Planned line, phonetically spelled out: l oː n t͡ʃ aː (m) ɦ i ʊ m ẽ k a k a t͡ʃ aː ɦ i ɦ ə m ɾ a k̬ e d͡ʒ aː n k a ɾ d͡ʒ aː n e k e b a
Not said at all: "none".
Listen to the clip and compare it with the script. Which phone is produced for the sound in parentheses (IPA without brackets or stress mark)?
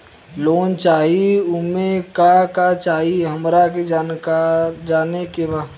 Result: none